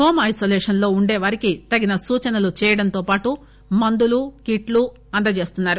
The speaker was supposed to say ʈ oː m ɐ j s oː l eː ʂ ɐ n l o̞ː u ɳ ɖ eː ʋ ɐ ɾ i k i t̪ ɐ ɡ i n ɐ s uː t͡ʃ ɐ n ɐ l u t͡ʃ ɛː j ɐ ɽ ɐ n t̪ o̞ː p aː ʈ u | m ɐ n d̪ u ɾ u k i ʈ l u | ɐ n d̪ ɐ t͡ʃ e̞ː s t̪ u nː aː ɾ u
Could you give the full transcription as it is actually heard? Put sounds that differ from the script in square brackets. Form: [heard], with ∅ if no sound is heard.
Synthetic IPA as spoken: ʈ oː m ɐ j s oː l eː ʂ ɐ n l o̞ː u ɳ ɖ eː ʋ ɐ ɾ i k i t̪ ɐ ɡ i n ɐ s uː t͡ʃ ɐ n ɐ l u t͡ʃ ɛː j ɐ ɽ ɐ n t̪ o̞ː p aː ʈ u | m ɐ n d̪ u [l] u k i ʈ l u | ɐ n d̪ ɐ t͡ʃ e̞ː s t̪ u nː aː ɾ u